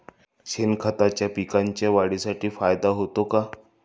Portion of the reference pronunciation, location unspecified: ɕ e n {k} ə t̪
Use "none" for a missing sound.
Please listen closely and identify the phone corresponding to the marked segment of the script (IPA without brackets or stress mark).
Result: kʰ